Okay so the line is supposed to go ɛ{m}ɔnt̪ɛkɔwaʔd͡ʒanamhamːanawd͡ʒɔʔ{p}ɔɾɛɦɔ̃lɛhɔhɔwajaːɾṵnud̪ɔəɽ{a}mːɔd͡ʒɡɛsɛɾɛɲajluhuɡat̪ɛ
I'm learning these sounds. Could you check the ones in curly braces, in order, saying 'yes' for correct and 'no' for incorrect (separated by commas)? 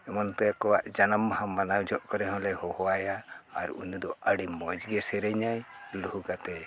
yes, no, no